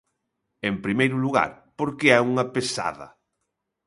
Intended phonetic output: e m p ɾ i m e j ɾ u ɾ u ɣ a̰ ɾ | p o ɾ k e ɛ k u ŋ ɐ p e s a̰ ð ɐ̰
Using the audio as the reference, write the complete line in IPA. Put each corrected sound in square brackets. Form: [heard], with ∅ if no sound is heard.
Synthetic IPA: e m p ɾ i m e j ɾ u [l] u ɣ a̰ ɾ | p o ɾ k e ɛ [∅] u ŋ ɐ p e s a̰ ð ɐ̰

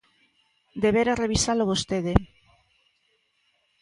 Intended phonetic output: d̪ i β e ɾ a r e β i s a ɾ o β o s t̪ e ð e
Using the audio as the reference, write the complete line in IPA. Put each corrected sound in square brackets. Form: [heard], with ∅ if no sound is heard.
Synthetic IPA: d̪ [e] β e ɾ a r e β i s a [l] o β o s t̪ e ð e

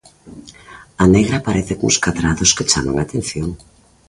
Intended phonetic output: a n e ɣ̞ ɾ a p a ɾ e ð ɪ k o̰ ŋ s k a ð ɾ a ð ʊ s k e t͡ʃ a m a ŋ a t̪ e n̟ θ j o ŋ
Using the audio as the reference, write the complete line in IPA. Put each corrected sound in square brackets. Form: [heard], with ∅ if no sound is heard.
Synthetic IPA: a n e ɣ̞ ɾ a p a ɾ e [θ] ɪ k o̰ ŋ s k a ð ɾ a ð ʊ s k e t͡ʃ a m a ŋ a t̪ e n̟ θ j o ŋ

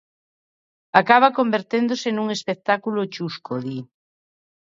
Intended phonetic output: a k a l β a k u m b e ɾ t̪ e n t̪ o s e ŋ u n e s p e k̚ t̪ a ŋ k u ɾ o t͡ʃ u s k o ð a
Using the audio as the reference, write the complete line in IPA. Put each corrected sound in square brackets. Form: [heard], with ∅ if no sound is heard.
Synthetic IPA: a k a [∅] β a k [o] m b e ɾ t̪ e n [d̪] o s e [n] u [ŋ] e s p e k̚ t̪ a [∅] k u [l] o t͡ʃ u s k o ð [i]

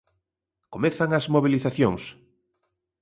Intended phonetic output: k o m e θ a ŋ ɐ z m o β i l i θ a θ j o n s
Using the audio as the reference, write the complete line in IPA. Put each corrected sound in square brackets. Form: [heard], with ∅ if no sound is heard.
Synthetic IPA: k o m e θ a ŋ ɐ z m o β i l i θ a θ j o [ŋ] s

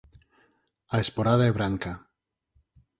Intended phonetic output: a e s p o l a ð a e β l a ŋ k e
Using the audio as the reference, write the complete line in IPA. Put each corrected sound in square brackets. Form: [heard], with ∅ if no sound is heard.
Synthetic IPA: a e s p o [ɾ] a ð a e β [ɾ] a ŋ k [a]

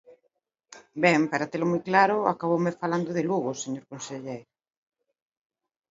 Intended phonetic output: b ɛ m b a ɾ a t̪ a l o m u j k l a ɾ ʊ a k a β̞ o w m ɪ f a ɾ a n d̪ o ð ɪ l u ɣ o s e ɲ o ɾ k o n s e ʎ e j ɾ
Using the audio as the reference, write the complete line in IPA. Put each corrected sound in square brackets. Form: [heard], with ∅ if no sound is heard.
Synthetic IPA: b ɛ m [p] a ɾ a t̪ [e] l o m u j k l a ɾ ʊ a k a β̞ o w m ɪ f a [l] a n d̪ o ð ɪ l u ɣ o s e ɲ o ɾ k o n s e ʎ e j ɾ

